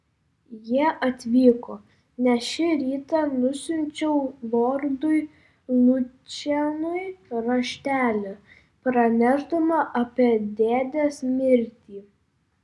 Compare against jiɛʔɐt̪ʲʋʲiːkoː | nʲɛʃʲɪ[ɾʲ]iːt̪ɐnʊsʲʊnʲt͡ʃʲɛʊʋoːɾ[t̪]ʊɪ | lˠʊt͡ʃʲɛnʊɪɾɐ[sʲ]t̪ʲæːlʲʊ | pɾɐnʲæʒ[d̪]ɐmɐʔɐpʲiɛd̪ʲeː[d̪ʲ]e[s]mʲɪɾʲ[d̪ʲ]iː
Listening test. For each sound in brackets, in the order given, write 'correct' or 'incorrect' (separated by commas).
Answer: correct, incorrect, incorrect, correct, correct, correct, incorrect